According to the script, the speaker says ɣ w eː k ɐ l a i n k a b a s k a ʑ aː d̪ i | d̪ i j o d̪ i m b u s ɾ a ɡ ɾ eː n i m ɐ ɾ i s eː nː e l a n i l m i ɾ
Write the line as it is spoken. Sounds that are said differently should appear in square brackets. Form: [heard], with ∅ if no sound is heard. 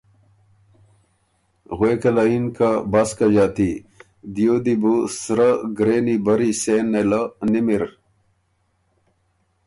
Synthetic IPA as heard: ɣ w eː k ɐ l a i n k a b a s k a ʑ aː [t̪] i | d̪ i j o d̪ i [∅] b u s ɾ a ɡ ɾ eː n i [b] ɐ ɾ i s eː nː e l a n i [∅] m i ɾ